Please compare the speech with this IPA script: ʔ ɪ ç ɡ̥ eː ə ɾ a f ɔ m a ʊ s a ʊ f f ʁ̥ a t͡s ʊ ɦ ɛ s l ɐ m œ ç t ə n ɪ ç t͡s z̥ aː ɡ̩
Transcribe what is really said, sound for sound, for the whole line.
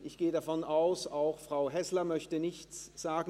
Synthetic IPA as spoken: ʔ ɪ ç ɡ̥ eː ə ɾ a f ɔ n a ʊ s a ʊ x f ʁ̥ a ʊ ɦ ɛ s l ɐ m œ ç t ə n ɪ ç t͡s z̥ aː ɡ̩